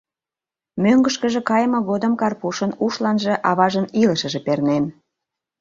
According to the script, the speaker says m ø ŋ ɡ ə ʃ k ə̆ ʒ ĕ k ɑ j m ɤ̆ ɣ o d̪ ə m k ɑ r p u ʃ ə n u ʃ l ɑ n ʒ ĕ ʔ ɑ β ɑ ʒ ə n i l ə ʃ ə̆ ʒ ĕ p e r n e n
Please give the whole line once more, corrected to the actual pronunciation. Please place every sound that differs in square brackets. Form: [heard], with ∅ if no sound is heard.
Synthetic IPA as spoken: m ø ŋ ɡ ə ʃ k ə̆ ʒ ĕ k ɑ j m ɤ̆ ɣ o d̪ ə m k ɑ r p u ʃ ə n u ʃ l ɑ n ʒ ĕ ʔ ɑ β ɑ ʒ ə n i l ə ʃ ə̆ ʒ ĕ p e r n e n